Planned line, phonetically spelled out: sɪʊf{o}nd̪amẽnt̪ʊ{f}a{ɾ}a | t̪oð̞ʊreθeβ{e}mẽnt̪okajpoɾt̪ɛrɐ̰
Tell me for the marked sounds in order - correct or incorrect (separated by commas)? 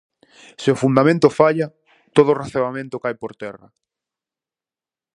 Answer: incorrect, correct, incorrect, incorrect